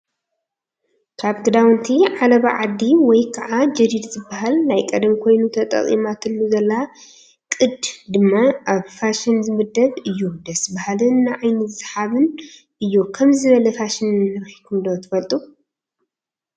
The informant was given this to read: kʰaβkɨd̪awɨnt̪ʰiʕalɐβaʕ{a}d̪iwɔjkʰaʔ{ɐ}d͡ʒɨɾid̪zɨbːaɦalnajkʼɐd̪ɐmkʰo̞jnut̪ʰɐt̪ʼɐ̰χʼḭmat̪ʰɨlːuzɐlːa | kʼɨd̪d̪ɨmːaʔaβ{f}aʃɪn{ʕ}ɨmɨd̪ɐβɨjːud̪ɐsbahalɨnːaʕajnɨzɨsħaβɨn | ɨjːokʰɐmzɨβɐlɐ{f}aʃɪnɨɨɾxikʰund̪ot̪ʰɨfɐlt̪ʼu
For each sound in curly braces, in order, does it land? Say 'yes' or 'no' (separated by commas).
yes, no, yes, no, yes